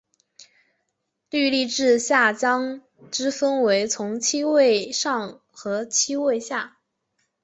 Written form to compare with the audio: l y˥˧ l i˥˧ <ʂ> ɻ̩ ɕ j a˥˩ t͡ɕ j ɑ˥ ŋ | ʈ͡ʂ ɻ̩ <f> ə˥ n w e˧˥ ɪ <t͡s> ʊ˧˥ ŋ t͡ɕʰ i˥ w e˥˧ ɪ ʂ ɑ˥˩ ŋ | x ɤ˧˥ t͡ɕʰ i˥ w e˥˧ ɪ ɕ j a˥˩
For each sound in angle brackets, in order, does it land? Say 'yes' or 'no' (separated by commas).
no, yes, no